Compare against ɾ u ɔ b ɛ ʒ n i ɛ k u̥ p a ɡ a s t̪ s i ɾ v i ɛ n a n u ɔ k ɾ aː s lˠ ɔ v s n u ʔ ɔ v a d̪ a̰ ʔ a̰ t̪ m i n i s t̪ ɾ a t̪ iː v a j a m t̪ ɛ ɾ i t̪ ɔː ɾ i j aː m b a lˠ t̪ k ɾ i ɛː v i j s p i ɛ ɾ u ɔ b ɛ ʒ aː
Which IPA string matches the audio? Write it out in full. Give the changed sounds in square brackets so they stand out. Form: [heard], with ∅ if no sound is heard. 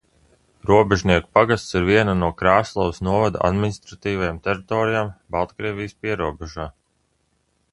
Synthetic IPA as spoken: ɾ u ɔ b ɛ ʒ n i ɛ k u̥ p a ɡ a s t̪ s i ɾ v i ɛ n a n u ɔ k ɾ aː s lˠ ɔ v s n u [∅] ɔ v a d̪ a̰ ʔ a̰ [d̪] m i n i s t̪ ɾ a t̪ iː v a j a m t̪ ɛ ɾ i t̪ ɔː ɾ i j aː m b a lˠ t̪ k ɾ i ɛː v i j s p i ɛ ɾ u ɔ b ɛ ʒ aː